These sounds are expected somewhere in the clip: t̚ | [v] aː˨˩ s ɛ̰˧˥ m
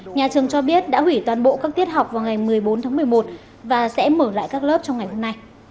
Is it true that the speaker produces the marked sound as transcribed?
yes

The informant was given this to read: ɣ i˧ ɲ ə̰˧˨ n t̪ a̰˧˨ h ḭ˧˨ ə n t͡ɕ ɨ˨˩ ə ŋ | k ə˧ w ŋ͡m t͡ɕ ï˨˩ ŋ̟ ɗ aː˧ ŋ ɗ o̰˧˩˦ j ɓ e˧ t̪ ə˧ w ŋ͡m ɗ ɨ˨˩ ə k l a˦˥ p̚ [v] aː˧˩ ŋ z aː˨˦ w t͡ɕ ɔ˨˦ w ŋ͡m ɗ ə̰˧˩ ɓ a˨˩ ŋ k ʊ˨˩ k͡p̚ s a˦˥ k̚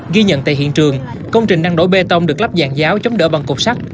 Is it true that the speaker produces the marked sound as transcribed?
no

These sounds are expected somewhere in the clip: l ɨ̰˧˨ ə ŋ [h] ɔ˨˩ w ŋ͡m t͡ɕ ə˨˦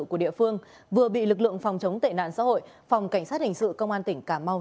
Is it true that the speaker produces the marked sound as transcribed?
no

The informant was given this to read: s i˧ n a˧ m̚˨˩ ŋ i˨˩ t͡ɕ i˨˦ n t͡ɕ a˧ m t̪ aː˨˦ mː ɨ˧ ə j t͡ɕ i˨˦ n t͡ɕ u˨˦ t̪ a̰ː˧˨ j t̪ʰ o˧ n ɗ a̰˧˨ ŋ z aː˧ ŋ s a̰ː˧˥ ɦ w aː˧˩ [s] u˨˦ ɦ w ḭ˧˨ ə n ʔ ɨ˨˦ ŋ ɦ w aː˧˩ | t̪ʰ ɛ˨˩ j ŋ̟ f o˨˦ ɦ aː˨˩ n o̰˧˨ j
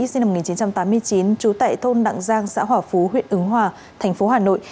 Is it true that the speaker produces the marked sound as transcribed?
no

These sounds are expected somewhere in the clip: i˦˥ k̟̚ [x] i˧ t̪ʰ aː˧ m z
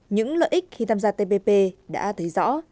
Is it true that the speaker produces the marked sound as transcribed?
yes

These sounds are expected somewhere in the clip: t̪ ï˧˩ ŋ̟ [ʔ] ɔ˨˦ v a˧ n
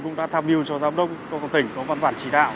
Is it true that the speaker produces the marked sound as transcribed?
no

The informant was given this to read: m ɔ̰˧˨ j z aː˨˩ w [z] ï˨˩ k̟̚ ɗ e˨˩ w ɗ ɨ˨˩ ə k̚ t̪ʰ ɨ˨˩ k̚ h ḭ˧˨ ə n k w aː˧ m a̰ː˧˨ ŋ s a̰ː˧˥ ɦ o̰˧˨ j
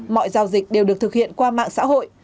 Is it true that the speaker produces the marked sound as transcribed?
yes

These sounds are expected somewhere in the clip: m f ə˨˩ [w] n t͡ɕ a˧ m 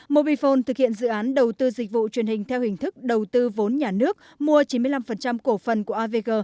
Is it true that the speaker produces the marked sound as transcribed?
no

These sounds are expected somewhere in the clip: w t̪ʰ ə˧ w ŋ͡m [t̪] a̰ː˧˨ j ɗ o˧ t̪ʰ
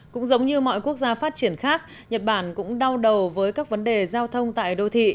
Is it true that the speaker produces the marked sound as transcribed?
yes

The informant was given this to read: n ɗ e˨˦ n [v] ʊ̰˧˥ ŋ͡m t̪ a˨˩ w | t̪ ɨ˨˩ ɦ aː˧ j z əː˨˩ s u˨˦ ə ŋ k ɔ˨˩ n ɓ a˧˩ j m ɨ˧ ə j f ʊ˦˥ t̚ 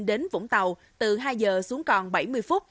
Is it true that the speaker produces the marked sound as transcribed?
yes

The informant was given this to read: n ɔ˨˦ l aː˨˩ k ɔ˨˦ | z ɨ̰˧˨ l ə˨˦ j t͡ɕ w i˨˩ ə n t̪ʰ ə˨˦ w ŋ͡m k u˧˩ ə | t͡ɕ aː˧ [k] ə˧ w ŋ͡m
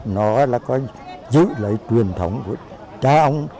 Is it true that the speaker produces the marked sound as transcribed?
no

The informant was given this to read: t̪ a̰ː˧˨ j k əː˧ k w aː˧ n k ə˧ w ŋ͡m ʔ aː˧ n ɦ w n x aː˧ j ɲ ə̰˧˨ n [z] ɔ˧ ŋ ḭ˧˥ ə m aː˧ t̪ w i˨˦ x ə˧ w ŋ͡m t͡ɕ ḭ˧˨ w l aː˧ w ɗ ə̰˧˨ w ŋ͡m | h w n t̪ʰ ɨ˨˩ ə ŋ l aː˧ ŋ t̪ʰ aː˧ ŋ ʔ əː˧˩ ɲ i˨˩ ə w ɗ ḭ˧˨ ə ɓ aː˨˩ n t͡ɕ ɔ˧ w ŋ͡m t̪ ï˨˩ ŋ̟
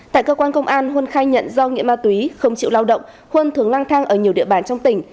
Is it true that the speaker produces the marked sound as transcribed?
yes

